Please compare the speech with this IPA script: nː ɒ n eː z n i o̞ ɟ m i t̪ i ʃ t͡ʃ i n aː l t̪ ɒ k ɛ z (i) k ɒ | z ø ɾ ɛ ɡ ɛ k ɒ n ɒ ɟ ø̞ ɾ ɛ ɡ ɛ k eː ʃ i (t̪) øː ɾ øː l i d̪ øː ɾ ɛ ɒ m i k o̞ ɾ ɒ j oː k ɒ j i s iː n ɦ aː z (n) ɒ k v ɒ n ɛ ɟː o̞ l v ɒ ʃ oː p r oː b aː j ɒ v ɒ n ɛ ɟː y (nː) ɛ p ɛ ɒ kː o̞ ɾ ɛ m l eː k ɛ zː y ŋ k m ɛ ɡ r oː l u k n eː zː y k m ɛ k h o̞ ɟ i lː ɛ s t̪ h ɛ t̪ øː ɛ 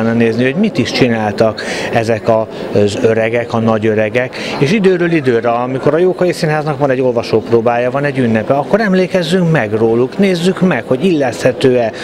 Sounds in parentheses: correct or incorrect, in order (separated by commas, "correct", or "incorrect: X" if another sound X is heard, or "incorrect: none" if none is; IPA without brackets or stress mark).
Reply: incorrect: ɛ, incorrect: d̪, correct, correct